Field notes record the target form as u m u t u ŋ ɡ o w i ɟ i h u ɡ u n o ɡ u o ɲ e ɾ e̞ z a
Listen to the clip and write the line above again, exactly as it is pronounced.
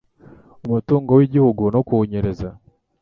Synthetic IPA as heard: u m u t uː ŋ ɡ o w i ɟ i h u ɡ u n o k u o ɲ e ɾ e̞ z a